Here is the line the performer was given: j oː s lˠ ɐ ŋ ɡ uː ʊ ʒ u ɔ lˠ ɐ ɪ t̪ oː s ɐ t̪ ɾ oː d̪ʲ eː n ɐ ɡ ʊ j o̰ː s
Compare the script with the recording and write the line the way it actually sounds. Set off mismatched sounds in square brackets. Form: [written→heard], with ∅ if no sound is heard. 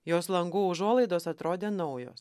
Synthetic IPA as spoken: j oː s lˠ ɐ ŋ ɡ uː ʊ ʒ u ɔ lˠ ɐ ɪ [t̪→d̪] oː s ɐ t̪ ɾ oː d̪ʲ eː n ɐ [ɡ→∅] ʊ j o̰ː s

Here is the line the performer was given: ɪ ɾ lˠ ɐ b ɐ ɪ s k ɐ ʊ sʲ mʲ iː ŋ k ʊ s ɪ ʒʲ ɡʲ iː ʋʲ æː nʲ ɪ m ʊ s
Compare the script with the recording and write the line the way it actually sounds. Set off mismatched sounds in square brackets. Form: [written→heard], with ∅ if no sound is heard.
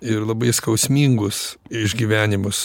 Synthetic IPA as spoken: ɪ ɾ lˠ ɐ b ɐ ɪ s k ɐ ʊ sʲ mʲ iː ŋ [k→ɡ] ʊ s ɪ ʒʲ ɡʲ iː ʋʲ æː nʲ ɪ m ʊ s

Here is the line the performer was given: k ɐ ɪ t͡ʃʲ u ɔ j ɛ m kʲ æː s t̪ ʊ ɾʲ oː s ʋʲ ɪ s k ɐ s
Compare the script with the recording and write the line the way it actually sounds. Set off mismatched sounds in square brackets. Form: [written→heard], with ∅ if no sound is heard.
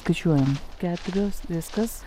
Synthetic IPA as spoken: k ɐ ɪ t͡ʃʲ u ɔ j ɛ m kʲ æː [s→∅] t̪ ʊ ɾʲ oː s ʋʲ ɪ s k ɐ s

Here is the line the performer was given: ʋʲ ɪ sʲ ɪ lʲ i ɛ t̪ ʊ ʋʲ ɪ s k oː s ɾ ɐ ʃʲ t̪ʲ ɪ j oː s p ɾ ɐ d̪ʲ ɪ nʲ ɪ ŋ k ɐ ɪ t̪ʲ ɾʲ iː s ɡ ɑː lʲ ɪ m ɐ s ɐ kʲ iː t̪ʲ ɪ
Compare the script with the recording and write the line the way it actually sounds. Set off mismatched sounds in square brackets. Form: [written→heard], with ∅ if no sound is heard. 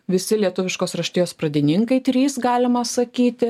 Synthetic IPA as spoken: ʋʲ ɪ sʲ ɪ lʲ i ɛ t̪ ʊ ʋʲ ɪ [s→ʃ] k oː s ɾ ɐ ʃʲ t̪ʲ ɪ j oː s p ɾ ɐ d̪ʲ ɪ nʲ ɪ ŋ k ɐ ɪ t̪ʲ ɾʲ iː s ɡ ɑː lʲ ɪ m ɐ s ɐ kʲ iː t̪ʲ ɪ

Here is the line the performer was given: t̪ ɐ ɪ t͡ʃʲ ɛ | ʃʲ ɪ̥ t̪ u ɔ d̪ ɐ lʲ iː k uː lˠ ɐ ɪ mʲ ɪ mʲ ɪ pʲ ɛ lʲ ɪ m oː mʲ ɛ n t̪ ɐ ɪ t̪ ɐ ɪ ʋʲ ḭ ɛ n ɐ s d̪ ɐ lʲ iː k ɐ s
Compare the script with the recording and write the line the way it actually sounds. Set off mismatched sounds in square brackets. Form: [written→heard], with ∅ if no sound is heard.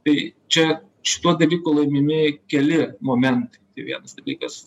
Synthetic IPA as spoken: t̪ ɐ ɪ t͡ʃʲ ɛ | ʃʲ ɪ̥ t̪ u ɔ d̪ ɐ lʲ iː k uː lˠ ɐ ɪ mʲ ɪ mʲ ɪ [pʲ→kʲ] ɛ lʲ ɪ m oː mʲ ɛ n t̪ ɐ ɪ t̪ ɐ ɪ ʋʲ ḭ ɛ n ɐ s d̪ ɐ lʲ iː k ɐ s

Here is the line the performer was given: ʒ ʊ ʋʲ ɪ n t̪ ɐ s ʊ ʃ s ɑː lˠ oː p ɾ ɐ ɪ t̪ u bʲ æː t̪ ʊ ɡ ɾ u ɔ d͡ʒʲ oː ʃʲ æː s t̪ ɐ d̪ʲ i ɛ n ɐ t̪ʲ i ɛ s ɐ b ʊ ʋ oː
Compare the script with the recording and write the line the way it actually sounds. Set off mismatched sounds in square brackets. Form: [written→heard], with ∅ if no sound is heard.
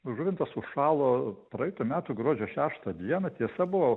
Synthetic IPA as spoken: ʒ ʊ ʋʲ ɪ n t̪ ɐ s ʊ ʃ [s→ʃ] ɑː lˠ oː p ɾ ɐ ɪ t̪ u [bʲ→mʲ] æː t̪ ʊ ɡ ɾ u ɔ d͡ʒʲ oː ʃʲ æː [s→ʃ] t̪ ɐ d̪ʲ i ɛ n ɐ t̪ʲ i ɛ s ɐ b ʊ ʋ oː

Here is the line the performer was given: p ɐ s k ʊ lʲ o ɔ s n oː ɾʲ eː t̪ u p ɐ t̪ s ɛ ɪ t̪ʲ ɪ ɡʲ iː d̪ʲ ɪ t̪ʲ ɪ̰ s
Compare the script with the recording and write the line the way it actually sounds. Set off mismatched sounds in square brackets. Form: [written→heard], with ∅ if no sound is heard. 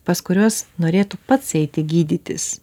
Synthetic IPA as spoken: p ɐ s k ʊ [lʲ→ɾʲ] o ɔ s n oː ɾʲ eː t̪ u p ɐ t̪ s ɛ ɪ t̪ʲ ɪ ɡʲ iː d̪ʲ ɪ t̪ʲ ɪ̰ s

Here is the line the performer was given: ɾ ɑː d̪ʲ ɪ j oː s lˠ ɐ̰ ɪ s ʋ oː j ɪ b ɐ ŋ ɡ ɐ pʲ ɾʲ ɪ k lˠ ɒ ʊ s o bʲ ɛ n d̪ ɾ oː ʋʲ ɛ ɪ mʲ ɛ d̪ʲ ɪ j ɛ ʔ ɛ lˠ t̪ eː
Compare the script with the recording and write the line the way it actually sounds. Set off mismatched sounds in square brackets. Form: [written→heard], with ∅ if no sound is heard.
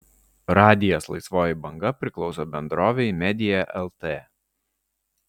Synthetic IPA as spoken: ɾ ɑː d̪ʲ ɪ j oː s lˠ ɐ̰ ɪ s ʋ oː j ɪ b ɐ ŋ ɡ ɐ pʲ ɾʲ ɪ k lˠ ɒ ʊ s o bʲ ɛ n d̪ ɾ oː ʋʲ ɛ ɪ mʲ ɛ d̪ʲ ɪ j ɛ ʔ ɛ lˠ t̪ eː

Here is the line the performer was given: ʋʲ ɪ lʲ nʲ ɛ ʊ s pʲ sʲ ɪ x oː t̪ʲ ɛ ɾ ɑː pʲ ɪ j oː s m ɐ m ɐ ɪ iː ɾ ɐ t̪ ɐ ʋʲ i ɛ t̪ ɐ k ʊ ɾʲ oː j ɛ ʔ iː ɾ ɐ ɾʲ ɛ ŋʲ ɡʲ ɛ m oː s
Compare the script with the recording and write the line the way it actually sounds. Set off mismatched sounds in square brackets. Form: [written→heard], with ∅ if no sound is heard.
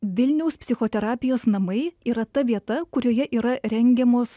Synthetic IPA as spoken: ʋʲ ɪ lʲ nʲ ɛ ʊ s pʲ sʲ ɪ x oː t̪ʲ ɛ ɾ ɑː pʲ ɪ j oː s [m→n] ɐ m ɐ ɪ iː ɾ ɐ t̪ ɐ ʋʲ i ɛ t̪ ɐ k ʊ ɾʲ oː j ɛ ʔ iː ɾ ɐ ɾʲ ɛ ŋʲ ɡʲ ɛ m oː s

